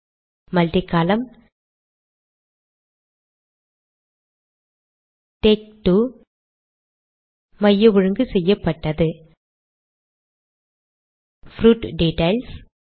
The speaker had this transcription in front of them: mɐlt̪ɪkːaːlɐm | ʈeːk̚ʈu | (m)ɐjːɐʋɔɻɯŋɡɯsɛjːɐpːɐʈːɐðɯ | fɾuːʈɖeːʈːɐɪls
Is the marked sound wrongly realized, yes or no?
no